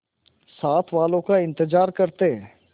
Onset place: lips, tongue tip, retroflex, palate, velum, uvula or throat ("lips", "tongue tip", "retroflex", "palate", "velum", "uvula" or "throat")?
tongue tip